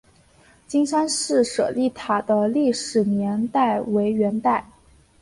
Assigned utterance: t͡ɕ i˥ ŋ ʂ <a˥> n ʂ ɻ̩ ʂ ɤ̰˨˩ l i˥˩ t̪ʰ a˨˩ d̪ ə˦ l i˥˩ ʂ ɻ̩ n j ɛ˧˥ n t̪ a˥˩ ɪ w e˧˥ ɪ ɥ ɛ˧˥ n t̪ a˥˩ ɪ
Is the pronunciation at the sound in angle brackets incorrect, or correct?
correct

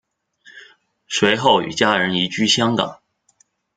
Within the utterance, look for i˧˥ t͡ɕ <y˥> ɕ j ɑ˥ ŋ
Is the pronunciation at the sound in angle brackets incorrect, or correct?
correct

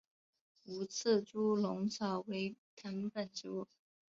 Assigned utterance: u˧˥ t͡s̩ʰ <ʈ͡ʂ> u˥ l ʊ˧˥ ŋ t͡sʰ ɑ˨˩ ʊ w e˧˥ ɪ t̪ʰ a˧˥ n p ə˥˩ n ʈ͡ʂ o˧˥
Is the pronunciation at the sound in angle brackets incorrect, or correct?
correct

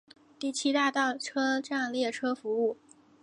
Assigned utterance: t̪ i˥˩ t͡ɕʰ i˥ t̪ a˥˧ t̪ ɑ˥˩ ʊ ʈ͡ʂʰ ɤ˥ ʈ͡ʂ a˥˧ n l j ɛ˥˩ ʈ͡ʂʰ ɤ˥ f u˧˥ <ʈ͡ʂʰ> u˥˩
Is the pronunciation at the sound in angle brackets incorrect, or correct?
incorrect: none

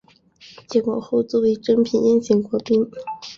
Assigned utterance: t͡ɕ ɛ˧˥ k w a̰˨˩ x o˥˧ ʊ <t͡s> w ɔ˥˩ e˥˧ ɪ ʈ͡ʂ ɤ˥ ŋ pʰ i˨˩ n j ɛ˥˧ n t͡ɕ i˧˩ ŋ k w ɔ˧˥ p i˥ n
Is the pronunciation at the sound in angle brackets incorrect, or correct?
correct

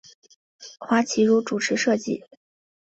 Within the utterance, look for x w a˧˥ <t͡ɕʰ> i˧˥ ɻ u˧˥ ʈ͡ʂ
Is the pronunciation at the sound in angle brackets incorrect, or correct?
correct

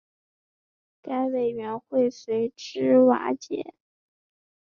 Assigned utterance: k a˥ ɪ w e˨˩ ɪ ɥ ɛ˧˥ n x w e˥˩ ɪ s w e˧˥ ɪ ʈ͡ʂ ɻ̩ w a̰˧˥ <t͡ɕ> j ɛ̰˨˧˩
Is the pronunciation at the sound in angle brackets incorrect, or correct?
correct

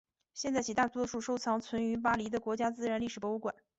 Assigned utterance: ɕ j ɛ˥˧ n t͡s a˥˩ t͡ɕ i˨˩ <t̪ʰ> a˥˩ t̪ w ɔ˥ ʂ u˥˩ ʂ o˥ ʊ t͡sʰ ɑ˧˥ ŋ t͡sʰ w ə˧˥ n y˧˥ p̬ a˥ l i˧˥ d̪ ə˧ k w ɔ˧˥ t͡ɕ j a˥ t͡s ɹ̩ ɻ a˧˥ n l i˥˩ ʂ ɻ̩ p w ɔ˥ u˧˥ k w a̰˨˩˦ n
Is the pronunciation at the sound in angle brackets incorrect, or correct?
incorrect: t̪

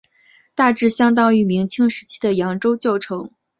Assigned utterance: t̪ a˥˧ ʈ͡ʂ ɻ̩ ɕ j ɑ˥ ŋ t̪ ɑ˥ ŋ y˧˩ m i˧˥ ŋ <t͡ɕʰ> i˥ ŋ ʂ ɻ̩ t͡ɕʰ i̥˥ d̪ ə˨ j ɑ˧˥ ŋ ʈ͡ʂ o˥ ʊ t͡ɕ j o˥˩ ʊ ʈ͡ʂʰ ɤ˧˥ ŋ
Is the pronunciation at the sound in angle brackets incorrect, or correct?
correct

